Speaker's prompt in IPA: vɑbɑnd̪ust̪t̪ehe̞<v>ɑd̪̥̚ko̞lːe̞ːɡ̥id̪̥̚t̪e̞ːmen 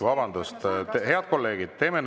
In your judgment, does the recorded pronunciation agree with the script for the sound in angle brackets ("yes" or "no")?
no